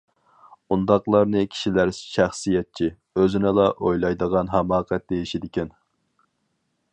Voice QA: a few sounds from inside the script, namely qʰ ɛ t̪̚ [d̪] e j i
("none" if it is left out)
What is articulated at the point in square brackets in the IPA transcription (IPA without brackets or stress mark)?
d̪